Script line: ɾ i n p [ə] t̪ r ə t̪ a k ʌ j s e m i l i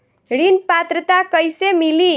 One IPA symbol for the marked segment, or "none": a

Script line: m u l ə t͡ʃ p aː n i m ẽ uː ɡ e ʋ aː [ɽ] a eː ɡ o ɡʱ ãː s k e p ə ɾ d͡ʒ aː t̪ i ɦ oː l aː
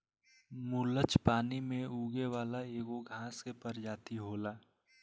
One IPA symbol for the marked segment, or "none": l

